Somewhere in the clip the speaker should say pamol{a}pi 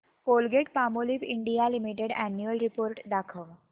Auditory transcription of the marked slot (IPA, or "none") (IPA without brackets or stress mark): i